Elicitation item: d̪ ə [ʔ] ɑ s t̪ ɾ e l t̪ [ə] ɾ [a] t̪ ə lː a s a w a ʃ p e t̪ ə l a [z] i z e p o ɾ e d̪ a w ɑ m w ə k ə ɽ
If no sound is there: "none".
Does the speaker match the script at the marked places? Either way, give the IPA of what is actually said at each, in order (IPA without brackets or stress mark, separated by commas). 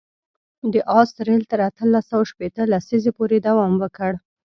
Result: ʔ, ə, a, s